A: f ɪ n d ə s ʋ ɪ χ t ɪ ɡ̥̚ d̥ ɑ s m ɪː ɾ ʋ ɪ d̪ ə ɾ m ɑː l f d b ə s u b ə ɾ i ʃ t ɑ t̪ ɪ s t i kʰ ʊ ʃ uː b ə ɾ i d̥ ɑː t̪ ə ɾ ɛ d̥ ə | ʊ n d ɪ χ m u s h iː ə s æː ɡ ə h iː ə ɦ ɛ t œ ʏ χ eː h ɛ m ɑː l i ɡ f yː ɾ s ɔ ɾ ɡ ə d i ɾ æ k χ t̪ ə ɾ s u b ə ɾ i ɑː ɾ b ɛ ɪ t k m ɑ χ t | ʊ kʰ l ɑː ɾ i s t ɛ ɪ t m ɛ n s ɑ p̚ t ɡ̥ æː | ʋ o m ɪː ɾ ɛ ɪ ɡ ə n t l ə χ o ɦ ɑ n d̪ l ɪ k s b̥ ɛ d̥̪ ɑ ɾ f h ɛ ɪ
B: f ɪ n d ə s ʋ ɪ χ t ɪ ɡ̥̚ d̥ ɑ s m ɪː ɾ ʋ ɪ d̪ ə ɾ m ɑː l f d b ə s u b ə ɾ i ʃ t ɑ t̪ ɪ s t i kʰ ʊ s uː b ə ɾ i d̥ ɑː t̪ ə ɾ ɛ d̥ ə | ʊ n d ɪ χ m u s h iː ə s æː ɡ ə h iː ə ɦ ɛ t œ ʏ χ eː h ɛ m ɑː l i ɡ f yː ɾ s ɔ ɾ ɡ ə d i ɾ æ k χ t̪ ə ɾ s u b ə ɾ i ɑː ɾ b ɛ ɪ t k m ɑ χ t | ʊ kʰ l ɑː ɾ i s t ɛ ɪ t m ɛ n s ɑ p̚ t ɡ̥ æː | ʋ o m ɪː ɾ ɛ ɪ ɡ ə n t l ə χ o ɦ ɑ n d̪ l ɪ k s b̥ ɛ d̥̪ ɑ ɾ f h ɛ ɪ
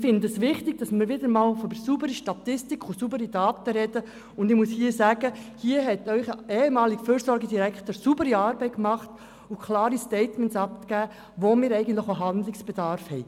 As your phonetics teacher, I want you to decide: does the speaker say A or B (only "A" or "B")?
B